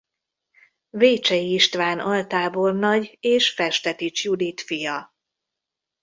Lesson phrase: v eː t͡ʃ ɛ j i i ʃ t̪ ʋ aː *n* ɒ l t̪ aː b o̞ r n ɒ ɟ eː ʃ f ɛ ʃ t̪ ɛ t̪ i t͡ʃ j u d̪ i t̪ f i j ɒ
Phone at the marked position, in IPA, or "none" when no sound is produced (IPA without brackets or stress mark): n